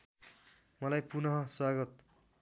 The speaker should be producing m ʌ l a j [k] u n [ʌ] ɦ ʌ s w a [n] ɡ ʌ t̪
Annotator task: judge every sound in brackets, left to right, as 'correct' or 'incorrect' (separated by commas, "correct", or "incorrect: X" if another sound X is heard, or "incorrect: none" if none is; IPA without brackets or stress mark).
incorrect: p, correct, incorrect: none